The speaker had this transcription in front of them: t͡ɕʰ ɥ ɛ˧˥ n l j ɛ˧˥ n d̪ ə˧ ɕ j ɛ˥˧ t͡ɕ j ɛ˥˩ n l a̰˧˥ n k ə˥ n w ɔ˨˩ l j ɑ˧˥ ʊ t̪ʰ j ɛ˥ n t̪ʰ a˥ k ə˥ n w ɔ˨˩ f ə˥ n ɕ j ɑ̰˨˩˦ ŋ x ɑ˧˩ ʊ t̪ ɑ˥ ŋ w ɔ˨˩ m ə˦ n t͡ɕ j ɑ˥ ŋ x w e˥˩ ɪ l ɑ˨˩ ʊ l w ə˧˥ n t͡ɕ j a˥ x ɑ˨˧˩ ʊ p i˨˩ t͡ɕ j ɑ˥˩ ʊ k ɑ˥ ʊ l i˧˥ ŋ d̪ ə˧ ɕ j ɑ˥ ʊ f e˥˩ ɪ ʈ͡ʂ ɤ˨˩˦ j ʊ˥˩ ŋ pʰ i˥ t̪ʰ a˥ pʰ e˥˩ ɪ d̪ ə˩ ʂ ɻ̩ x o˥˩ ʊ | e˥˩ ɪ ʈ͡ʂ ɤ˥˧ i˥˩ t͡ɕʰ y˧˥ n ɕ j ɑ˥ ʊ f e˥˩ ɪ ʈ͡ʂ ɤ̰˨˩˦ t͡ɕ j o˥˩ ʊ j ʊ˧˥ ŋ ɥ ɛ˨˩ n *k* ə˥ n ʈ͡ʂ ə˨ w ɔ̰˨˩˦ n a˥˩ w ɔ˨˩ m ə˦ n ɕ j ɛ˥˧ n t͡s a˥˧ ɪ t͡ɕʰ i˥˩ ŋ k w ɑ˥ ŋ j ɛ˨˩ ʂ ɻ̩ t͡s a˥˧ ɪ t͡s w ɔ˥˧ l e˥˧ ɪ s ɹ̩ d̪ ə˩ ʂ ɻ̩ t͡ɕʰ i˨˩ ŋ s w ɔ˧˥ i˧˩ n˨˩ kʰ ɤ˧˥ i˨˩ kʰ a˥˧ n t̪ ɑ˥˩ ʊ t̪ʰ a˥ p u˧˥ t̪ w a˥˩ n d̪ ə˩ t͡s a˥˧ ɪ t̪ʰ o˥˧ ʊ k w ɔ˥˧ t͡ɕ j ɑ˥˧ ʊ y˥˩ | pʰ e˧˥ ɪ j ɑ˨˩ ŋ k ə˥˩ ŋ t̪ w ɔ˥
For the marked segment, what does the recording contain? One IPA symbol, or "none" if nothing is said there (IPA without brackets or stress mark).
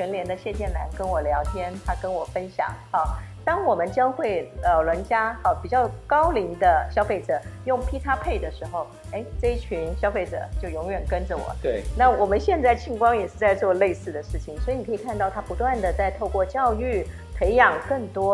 k